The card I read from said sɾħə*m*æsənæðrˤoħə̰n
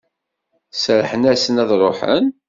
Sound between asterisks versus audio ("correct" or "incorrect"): incorrect